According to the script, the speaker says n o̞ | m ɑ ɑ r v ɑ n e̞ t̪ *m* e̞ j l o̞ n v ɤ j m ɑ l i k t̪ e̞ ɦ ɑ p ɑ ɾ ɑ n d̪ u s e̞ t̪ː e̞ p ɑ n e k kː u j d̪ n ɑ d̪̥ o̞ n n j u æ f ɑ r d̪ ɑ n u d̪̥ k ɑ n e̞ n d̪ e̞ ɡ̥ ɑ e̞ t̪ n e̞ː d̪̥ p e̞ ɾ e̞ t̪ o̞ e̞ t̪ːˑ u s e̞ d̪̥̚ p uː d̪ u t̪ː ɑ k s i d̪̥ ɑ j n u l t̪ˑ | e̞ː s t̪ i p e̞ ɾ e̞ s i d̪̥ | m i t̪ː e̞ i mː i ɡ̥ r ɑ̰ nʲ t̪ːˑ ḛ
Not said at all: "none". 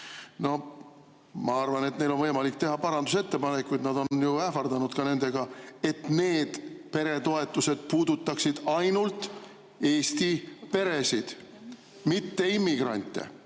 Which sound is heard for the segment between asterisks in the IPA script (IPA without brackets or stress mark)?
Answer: n